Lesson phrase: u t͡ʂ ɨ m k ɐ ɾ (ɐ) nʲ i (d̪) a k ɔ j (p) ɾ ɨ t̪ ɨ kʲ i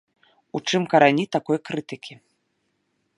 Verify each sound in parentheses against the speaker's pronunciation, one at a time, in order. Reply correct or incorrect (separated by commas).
incorrect, incorrect, incorrect